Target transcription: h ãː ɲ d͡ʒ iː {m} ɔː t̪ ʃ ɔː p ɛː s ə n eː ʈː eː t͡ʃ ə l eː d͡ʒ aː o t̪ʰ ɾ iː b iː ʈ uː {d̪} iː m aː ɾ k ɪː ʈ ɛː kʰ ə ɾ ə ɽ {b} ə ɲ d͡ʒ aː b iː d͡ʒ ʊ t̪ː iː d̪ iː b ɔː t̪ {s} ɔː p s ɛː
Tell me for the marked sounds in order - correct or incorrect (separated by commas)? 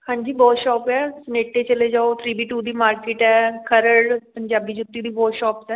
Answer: incorrect, correct, incorrect, incorrect